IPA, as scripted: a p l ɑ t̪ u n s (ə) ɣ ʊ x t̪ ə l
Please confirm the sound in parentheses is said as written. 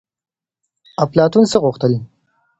yes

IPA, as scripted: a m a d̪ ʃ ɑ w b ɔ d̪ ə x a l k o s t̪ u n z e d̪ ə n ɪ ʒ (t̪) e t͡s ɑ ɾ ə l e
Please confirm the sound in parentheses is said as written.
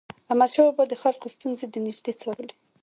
no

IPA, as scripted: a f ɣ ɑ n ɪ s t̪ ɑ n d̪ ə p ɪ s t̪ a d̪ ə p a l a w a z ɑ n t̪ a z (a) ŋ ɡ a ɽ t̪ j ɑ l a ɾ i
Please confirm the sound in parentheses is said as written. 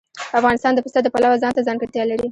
no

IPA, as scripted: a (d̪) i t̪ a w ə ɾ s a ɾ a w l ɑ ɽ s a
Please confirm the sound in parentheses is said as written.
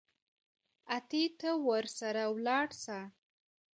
no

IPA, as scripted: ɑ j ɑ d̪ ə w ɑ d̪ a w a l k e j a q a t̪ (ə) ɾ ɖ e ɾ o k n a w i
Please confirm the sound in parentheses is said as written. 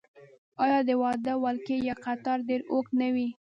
no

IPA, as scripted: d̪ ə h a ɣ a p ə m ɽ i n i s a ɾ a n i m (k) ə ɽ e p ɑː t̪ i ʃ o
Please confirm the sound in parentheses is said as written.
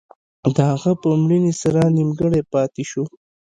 no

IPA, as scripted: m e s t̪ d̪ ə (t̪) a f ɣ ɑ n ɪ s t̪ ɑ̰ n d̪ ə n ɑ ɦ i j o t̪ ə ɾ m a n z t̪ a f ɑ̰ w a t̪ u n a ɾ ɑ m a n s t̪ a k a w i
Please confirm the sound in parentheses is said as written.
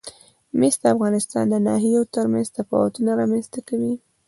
no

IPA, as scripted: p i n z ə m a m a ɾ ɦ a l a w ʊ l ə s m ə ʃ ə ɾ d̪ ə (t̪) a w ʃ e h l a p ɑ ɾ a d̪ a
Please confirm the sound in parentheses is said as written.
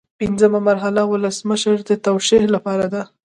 yes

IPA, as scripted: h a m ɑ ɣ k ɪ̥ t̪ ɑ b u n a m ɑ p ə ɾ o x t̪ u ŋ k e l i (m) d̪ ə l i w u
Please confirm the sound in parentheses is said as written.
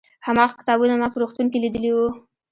no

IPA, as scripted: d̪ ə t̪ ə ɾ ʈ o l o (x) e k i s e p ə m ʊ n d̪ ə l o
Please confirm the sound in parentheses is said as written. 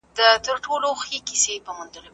yes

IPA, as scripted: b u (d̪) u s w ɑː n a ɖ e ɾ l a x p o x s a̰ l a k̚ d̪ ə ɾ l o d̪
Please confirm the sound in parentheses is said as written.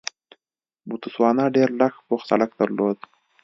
no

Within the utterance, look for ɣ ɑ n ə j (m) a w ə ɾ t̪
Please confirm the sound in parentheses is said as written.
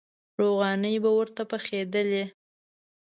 no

